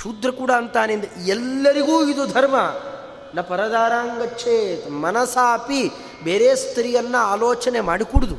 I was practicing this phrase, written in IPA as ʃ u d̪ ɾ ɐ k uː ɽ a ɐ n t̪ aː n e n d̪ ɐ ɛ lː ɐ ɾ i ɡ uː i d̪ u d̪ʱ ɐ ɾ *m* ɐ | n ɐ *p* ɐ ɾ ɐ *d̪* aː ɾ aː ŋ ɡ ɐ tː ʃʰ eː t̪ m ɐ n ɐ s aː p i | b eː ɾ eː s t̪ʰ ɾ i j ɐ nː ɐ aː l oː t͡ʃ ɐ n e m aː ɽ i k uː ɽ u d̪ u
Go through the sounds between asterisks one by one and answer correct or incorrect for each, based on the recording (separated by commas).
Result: correct, correct, correct